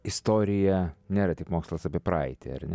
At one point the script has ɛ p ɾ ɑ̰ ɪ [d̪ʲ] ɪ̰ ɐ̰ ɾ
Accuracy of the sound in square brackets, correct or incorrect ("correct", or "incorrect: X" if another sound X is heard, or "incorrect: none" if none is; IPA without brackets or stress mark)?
incorrect: t̪ʲ